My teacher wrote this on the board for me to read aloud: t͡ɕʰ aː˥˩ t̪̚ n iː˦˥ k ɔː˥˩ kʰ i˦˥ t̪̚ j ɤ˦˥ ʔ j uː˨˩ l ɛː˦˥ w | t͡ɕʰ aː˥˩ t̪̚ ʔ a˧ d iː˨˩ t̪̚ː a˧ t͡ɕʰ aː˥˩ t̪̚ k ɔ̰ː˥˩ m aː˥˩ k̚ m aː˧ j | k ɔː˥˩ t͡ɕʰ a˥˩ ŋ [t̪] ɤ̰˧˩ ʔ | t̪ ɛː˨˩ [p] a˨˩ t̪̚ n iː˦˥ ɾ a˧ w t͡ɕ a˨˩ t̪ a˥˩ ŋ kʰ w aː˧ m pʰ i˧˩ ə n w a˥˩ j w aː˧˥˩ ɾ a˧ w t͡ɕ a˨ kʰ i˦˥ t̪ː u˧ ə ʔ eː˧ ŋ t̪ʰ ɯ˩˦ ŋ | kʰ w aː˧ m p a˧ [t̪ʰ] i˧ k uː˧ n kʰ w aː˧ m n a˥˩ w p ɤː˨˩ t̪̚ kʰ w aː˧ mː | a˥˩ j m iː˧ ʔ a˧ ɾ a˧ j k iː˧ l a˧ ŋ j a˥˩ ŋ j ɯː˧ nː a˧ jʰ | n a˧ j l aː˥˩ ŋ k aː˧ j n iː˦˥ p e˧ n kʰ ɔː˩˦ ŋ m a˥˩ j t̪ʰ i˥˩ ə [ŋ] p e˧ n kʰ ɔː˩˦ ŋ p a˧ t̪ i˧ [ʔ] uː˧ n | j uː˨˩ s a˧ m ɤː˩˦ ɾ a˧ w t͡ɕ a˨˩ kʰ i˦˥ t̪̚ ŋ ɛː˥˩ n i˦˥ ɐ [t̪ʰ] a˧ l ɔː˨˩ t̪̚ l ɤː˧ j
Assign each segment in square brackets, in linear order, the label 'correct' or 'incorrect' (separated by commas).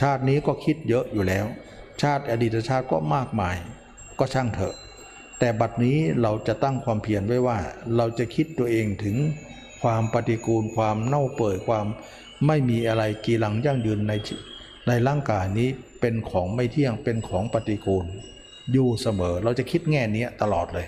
incorrect, incorrect, incorrect, correct, incorrect, incorrect